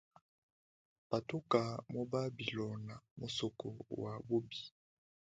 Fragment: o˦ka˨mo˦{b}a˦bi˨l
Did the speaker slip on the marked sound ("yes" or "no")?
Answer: no